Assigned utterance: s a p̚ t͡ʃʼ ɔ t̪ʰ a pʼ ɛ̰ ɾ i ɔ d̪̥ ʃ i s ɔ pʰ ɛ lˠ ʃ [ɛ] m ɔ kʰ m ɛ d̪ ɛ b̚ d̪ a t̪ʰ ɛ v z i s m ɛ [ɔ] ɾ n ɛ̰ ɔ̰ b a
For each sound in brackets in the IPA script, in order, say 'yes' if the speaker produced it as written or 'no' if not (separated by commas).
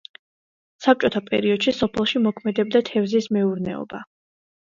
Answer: no, no